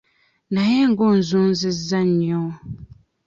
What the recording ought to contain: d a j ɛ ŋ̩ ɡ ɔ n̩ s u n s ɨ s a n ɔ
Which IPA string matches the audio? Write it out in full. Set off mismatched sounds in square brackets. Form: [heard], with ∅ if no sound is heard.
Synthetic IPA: [n] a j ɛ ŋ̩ ɡ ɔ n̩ [z] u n [z] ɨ [z] a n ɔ